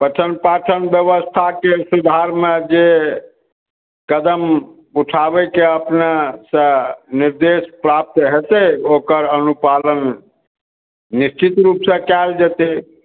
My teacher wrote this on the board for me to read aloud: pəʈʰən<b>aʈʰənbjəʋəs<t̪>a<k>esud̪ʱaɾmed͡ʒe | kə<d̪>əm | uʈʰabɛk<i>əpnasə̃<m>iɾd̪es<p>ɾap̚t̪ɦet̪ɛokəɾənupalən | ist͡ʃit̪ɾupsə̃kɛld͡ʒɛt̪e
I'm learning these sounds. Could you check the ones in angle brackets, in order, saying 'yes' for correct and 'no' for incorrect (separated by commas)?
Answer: no, no, yes, yes, no, no, yes